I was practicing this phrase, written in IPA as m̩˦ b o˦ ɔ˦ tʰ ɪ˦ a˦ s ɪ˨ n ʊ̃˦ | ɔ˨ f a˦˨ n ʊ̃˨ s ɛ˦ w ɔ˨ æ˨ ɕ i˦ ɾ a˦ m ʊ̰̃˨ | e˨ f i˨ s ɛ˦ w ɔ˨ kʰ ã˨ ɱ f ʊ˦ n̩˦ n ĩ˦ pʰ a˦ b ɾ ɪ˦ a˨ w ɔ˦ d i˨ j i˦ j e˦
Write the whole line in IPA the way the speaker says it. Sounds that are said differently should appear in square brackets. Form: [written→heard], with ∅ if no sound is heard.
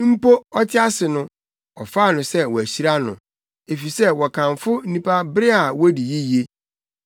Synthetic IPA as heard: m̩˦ [b→p] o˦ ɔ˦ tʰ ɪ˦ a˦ s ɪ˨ n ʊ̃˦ | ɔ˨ f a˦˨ n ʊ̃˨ s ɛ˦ w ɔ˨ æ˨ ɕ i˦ ɾ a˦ [m→n] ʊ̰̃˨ | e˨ f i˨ s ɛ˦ w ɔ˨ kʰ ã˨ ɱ f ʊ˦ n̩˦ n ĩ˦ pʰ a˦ b ɾ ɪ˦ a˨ w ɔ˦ d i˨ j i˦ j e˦